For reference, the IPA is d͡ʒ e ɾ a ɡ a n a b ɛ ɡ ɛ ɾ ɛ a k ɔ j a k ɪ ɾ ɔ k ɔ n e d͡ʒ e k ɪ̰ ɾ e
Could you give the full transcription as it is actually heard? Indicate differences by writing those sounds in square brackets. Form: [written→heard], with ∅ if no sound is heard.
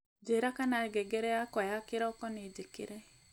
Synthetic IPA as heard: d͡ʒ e ɾ a [ɡ→k] a n a [b→ɡ] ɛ ɡ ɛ ɾ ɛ a k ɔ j a k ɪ ɾ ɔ k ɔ n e d͡ʒ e k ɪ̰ ɾ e